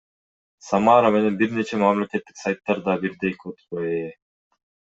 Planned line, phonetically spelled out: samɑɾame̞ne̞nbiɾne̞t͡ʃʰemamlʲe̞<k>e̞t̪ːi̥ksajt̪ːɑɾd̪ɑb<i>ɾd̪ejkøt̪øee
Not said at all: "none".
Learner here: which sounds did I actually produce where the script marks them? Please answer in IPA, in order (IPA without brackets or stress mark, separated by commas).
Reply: k, i